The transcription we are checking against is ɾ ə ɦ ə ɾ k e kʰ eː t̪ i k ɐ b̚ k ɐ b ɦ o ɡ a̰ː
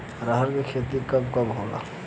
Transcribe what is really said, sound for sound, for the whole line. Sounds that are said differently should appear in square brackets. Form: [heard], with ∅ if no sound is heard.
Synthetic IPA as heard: ɾ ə ɦ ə ɾ k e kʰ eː t̪ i k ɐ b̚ k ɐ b ɦ o ɡ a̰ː